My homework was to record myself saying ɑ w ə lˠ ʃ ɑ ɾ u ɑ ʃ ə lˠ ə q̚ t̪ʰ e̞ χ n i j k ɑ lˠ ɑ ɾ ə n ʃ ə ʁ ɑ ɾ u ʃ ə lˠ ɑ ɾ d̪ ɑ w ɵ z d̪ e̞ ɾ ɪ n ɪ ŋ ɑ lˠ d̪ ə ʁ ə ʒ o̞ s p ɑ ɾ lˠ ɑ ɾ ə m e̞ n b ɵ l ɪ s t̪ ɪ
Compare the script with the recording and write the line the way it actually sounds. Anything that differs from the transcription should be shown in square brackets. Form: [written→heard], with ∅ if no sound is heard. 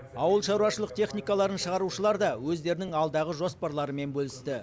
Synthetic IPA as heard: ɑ w ə lˠ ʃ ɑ ɾ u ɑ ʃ ə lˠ ə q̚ t̪ʰ e̞ χ n i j k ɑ lˠ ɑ ɾ ə n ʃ ə ʁ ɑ ɾ u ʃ ə lˠ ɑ ɾ d̪ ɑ w ɵ z d̪ e̞ ɾ ɪ n ɪ ŋ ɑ lˠ d̪ [ə→ɑ] ʁ ə ʒ o̞ s p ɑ ɾ lˠ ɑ ɾ ə m e̞ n b ɵ l ɪ s t̪ ɪ